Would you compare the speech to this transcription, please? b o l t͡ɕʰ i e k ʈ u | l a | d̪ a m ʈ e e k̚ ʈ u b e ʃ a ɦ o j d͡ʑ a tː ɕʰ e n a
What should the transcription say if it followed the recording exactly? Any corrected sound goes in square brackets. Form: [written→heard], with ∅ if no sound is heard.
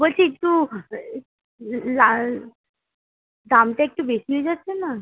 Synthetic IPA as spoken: b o l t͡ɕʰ i e k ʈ u | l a | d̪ a m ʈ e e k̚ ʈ u b e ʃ [a→i] ɦ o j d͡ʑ a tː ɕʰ e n a

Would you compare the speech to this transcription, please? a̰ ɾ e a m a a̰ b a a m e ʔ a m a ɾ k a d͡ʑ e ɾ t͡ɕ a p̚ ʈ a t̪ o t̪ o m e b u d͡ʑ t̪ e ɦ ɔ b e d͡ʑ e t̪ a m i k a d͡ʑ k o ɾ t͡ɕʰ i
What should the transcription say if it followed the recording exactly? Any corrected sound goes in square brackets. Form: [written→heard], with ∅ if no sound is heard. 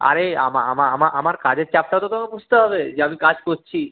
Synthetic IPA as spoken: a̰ ɾ e a m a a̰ [b→m] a a m [e→a] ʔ a m a ɾ k a d͡ʑ e ɾ t͡ɕ a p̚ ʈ a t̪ o t̪ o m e b u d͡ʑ t̪ e ɦ ɔ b e d͡ʑ e [t̪→∅] a m i k a d͡ʑ k o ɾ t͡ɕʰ i

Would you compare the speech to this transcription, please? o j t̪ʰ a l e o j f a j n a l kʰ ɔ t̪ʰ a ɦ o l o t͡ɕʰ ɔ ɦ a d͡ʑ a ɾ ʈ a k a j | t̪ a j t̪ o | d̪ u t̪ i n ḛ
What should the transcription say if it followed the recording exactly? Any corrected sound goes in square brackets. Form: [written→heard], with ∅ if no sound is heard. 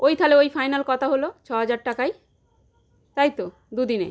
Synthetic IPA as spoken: o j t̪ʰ a l e o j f a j n a l [kʰ→k] ɔ t̪ʰ a ɦ o l o t͡ɕʰ ɔ ɦ a d͡ʑ a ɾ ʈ a k a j | t̪ a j t̪ o | d̪ u [t̪→d̪] i n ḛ

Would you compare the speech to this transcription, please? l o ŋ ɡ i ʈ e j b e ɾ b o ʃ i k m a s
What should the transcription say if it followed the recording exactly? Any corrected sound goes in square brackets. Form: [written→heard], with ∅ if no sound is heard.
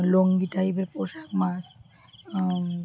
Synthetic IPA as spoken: l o ŋ ɡ i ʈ [e→a] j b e ɾ [b→p] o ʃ [i→a] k m a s

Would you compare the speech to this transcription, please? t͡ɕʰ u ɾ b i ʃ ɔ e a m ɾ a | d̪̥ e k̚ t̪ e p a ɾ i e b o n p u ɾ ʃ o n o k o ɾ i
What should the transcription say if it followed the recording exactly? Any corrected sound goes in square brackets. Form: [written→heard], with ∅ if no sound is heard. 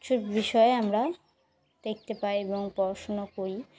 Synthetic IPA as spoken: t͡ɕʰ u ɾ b i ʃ ɔ e a m ɾ a | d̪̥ e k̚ t̪ e p a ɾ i e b o [n→ŋ] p [u→ɔ] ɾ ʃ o n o k o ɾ i

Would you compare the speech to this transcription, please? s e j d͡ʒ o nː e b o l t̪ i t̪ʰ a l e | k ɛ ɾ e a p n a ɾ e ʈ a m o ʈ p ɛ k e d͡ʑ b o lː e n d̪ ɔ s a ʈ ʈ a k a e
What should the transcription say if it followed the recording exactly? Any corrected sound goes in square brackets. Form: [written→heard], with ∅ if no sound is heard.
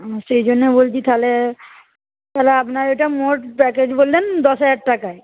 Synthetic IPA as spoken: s e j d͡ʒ o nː e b o l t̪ i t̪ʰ a l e | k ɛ [ɾ→l] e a p n a ɾ e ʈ a m o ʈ p ɛ k e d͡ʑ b o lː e n d̪ ɔ s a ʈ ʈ a k a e

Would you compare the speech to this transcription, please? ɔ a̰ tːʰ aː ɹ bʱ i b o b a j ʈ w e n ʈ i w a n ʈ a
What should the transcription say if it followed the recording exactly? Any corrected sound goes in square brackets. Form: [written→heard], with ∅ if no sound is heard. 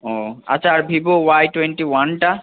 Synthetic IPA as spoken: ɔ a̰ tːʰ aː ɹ bʱ i b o [b→w] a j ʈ w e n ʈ i w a n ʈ a

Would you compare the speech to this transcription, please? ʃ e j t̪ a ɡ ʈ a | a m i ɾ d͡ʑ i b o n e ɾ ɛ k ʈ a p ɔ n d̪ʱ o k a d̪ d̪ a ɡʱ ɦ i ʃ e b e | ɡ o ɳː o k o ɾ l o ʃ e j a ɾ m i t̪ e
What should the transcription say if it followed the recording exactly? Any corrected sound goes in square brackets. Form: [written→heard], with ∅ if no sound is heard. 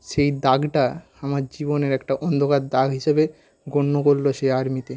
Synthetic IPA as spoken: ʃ e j [t̪→d̪] a ɡ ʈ a | a m [i→a] ɾ d͡ʑ i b o n e ɾ ɛ k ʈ a [p→ʔ] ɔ n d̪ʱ o k a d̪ d̪ a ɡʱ ɦ i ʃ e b e | ɡ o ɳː o k o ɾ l o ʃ e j a ɾ m i t̪ e

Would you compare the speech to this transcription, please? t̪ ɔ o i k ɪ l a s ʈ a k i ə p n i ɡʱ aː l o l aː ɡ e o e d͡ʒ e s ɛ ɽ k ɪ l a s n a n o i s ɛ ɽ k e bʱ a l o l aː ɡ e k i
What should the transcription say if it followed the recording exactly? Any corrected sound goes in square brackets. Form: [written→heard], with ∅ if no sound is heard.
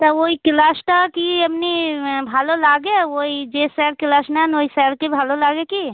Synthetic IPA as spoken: t̪ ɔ o i k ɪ l a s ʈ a k i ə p n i [ɡʱ→bʱ] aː l o l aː ɡ e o [e→i] d͡ʒ e s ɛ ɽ k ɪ l a s n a n o i s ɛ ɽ k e bʱ a l o l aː ɡ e k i

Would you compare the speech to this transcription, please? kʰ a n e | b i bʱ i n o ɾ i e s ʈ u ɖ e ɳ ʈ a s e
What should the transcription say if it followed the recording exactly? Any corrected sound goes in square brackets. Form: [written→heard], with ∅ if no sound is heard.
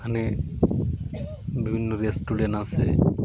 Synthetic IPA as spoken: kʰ a n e | b i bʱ i [n→nː] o ɾ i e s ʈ u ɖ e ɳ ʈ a s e

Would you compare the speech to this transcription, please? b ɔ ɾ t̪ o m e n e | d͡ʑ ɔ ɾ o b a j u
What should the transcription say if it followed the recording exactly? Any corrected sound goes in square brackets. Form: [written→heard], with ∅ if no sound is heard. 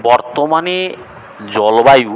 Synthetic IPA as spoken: b ɔ ɾ t̪ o m [e→a] n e | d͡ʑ ɔ [ɾ→l] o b a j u

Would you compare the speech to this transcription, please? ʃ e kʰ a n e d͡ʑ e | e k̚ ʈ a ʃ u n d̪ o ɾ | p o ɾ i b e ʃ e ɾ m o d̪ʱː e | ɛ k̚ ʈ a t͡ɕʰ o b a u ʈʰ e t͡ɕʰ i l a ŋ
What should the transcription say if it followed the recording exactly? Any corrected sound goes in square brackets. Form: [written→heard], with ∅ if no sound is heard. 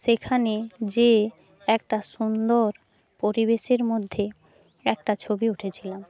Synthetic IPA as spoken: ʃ e kʰ a n e d͡ʑ e | [e→ɛ] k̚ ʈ a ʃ u n d̪ o ɾ | p o ɾ i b e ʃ e ɾ m o d̪ʱː e | ɛ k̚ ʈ a t͡ɕʰ o b [a→i] u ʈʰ e t͡ɕʰ i l a [ŋ→m]

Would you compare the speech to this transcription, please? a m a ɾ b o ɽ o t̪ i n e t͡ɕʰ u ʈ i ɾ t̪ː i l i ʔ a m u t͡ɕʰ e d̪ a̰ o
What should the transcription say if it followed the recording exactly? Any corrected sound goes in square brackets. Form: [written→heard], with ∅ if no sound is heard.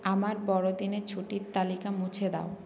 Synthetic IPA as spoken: a m a ɾ b [o→ɔ] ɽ o [t̪→d̪] i n e t͡ɕʰ u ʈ i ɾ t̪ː [i→a] l i [ʔ→k] a m u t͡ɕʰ e d̪ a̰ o

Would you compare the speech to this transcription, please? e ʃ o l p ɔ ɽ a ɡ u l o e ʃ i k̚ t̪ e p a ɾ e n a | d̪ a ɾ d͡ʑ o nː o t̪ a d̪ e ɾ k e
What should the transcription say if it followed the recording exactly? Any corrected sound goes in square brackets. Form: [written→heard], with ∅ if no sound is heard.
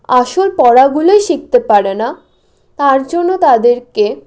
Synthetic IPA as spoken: [e→a] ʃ o l p ɔ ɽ a ɡ u l o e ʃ i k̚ t̪ e p a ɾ e n a | [d̪→t̪] a ɾ d͡ʑ o nː o t̪ a d̪ e ɾ k e

